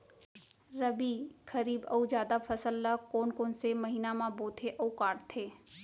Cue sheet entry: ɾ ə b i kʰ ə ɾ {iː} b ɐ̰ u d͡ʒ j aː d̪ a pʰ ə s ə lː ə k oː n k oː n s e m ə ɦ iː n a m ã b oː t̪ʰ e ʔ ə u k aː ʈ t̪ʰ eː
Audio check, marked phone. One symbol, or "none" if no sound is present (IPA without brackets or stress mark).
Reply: iː